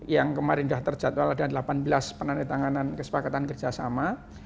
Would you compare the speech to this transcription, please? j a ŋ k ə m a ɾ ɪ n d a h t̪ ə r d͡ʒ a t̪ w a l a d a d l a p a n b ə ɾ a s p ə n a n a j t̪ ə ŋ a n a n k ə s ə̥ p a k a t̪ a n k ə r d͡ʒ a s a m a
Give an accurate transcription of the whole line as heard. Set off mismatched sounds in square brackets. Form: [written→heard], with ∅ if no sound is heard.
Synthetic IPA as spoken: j a ŋ k ə m a ɾ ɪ n d a h t̪ ə r d͡ʒ a t̪ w a l a d a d l a p a n b ə [ɾ→l] a s p ə n a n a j t̪ [ə→a] ŋ a n a n k ə s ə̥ p a k a t̪ a n k ə r d͡ʒ a s a m a